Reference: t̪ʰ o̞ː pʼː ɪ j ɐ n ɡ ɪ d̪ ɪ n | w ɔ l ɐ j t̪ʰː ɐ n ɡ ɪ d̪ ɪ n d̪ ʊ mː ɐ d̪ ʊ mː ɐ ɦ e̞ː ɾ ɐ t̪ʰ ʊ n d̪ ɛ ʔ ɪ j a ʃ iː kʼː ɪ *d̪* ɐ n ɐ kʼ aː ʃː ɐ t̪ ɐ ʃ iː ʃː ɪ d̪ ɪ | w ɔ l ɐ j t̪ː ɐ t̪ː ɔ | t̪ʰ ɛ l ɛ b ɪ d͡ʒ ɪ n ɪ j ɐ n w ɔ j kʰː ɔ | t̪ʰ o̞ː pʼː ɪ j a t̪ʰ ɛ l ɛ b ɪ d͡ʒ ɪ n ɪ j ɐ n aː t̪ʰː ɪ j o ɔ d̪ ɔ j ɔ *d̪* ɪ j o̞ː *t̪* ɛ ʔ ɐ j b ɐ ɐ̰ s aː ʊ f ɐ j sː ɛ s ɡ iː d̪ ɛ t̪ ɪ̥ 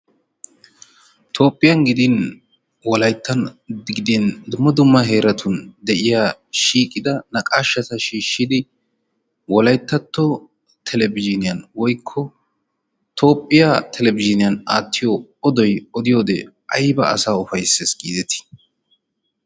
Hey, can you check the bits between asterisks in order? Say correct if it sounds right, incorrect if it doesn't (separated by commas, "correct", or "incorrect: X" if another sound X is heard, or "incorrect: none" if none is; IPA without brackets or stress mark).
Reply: correct, correct, incorrect: d̪